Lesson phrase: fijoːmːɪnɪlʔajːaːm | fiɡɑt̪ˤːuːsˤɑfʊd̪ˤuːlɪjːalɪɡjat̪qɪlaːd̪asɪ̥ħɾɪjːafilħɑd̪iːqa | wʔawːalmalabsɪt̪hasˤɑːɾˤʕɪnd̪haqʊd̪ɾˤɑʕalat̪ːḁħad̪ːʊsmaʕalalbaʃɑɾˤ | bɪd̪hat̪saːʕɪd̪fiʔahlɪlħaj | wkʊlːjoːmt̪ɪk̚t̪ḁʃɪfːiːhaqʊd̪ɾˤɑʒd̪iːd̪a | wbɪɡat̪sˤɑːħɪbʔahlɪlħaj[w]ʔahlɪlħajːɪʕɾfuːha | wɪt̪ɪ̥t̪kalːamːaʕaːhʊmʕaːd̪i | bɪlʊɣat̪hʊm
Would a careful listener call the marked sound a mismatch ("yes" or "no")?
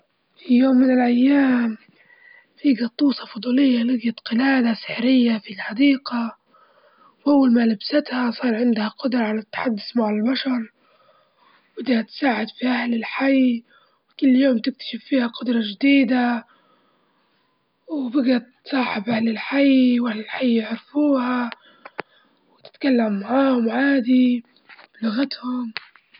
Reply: no